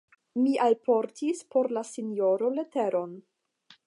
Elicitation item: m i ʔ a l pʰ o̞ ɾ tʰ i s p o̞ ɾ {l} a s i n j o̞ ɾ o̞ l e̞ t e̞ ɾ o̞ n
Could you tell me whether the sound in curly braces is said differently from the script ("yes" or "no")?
no